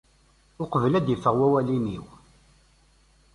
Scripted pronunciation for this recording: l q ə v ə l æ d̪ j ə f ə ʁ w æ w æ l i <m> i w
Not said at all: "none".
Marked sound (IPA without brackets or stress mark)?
n